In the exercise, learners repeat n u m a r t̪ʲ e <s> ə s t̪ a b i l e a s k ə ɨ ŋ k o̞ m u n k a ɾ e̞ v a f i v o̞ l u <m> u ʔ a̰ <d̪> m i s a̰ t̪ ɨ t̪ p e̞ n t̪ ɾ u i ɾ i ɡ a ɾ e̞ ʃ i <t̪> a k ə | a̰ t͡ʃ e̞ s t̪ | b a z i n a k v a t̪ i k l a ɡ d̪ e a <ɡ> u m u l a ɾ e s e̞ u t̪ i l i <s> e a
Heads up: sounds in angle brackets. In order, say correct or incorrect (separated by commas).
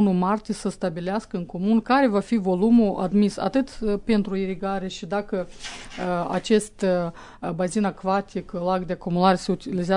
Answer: correct, correct, correct, incorrect, incorrect, incorrect